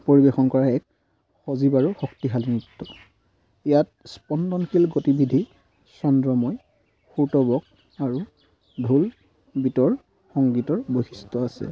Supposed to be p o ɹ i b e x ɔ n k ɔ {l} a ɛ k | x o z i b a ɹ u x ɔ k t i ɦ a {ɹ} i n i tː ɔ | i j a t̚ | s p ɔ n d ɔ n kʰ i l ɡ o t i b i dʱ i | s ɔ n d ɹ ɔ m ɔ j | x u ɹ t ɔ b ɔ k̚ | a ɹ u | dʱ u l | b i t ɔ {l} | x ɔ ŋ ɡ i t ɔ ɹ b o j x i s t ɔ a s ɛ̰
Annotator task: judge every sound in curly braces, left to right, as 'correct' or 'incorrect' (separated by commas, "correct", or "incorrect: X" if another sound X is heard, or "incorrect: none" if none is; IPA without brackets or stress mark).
incorrect: ɹ, incorrect: l, incorrect: ɹ